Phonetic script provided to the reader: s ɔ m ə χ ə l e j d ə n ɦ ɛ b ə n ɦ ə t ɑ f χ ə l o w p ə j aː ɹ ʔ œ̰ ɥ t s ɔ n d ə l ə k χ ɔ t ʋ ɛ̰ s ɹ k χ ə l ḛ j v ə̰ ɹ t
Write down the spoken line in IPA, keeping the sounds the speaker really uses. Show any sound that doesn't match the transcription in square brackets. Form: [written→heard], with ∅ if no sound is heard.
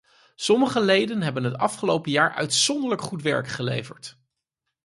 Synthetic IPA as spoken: s ɔ m ə χ ə l e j d ə n ɦ ɛ b ə n ɦ ə t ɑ f χ ə l o w p ə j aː ɹ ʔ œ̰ ɥ t s ɔ n d ə l ə k χ [ɔ→u] t ʋ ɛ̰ [s→∅] ɹ k χ ə l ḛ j v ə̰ ɹ t

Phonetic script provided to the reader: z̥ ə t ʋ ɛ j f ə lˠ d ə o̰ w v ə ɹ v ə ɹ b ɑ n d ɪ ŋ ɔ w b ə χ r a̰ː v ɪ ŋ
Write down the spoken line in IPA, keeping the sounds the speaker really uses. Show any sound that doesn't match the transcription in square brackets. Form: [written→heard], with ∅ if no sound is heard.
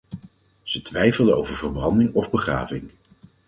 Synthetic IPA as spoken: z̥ ə t ʋ ɛ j f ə lˠ d ə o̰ w v ə ɹ v ə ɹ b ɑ n d ɪ ŋ ɔ [w→v] b ə χ r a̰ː v ɪ ŋ

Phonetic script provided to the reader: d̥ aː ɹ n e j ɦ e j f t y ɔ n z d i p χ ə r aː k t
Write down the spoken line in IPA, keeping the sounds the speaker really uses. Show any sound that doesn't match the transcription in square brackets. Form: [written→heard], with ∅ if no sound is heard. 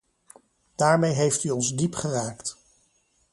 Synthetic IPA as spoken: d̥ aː ɹ [n→m] e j ɦ e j f t y ɔ n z d i p χ ə r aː k t

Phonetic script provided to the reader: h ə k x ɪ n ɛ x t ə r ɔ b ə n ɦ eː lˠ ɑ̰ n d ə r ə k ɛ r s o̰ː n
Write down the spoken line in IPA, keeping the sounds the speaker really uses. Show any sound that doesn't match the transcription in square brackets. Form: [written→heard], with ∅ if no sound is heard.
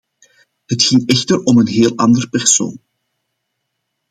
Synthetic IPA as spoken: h ə [k→t] x ɪ [n→ŋ] ɛ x t ə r ɔ [b→m] ə n ɦ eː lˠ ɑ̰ n d ə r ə [k→p] ɛ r s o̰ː n

